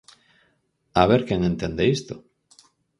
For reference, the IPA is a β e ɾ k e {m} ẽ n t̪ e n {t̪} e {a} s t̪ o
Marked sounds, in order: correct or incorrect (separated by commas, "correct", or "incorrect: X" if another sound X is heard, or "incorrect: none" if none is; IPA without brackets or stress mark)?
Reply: incorrect: ŋ, incorrect: d̪, incorrect: i